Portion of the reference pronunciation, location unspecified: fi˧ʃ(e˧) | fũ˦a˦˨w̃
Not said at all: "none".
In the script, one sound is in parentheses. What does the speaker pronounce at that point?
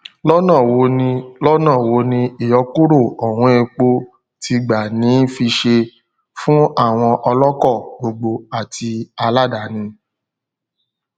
e˧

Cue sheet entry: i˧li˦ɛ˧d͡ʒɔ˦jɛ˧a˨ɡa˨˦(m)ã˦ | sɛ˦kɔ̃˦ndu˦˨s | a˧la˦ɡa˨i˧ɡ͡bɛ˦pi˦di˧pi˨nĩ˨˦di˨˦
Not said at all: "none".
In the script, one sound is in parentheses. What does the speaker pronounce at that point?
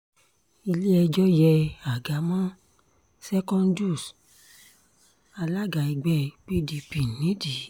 m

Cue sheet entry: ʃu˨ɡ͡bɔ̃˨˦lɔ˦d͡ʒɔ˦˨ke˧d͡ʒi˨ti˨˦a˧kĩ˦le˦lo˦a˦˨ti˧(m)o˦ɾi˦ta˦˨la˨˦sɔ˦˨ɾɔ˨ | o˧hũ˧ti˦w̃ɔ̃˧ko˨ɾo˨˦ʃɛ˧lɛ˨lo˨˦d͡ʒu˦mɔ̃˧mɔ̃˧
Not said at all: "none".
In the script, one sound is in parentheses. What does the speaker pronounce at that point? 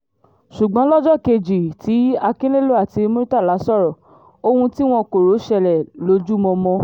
m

